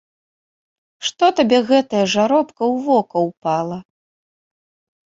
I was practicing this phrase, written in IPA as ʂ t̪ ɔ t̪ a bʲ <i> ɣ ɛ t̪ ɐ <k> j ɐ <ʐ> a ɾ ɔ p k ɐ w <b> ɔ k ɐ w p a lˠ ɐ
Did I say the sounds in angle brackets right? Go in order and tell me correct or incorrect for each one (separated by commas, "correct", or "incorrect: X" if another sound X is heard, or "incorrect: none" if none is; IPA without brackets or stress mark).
incorrect: ɛ, incorrect: none, correct, incorrect: v